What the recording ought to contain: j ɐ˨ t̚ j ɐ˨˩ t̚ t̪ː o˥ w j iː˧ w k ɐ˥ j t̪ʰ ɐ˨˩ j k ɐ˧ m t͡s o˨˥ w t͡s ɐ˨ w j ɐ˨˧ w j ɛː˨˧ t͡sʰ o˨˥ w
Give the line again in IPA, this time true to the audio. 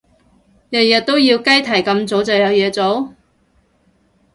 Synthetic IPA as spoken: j ɐ˨ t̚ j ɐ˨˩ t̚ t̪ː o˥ w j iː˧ w k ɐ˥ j t̪ʰ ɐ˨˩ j k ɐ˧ m t͡s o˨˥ w t͡s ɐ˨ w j ɐ˨˧ w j ɛː˨˧ t͡s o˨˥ w